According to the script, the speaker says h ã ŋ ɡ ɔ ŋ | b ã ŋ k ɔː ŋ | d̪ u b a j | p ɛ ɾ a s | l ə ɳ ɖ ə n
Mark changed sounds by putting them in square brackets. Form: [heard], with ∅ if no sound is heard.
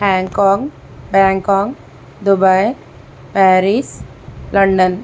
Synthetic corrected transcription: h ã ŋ [k] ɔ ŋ | b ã ŋ k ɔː ŋ | d̪ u b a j | p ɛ ɾ [i] s | l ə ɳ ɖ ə n